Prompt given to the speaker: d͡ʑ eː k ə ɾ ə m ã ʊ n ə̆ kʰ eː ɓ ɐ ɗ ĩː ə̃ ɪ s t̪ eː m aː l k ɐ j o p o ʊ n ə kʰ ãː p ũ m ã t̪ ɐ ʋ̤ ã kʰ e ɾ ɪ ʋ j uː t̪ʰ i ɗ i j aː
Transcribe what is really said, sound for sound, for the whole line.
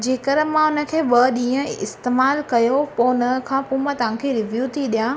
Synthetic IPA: d͡ʑ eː k ə ɾ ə m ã ʊ n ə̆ kʰ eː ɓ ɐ ɗ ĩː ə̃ ɪ s t̪ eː m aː l k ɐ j o p o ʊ n ə kʰ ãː p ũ m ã t̪ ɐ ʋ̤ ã kʰ e ɾ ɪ ʋ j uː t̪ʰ i ɗ i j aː